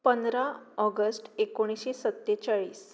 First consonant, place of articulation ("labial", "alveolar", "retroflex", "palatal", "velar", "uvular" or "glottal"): labial